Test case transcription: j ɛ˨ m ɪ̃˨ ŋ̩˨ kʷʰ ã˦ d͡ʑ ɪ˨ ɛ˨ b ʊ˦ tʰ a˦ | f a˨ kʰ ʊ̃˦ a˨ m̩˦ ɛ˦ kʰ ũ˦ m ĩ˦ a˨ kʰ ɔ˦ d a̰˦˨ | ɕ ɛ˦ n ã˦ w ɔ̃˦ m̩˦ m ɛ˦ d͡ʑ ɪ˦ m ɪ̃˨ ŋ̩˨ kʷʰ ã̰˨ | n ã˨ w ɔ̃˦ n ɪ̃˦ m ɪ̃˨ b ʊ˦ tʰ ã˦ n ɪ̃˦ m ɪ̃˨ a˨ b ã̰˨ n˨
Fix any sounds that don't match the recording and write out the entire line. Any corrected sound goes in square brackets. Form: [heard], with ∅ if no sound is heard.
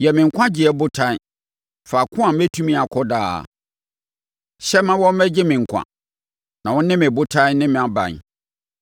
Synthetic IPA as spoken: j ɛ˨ m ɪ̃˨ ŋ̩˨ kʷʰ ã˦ d͡ʑ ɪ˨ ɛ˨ b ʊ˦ tʰ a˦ | f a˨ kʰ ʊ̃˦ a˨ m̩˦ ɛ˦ [tʰ] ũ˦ m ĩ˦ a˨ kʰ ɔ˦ d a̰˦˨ | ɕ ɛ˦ [m] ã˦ w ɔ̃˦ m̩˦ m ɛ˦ d͡ʑ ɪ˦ m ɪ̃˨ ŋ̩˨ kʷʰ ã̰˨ | n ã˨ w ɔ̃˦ n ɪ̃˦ m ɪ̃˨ b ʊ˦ tʰ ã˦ n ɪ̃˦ m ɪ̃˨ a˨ b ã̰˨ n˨